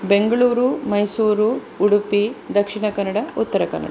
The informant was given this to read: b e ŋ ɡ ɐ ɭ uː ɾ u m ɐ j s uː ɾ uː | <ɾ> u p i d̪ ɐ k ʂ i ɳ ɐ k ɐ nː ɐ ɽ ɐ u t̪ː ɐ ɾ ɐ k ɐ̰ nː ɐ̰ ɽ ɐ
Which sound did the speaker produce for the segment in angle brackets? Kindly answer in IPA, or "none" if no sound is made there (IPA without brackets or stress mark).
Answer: ɽ